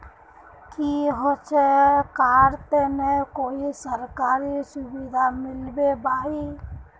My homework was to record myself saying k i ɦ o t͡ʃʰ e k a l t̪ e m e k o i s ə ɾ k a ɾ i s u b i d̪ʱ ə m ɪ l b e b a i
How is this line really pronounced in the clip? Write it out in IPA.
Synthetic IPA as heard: k i ɦ o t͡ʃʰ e k a ɾ t̪ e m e k o i s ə ɾ k a ɾ i s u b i d̪ʱ a m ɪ l b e b a i